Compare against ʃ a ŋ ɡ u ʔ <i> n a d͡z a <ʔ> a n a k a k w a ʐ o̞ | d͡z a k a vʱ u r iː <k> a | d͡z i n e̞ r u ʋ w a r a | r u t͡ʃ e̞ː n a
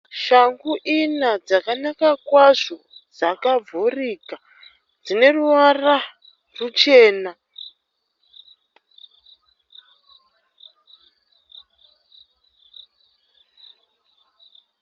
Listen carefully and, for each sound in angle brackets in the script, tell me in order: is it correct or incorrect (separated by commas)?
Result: correct, incorrect, correct